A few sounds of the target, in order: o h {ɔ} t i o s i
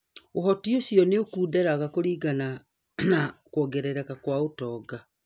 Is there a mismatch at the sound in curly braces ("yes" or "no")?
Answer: no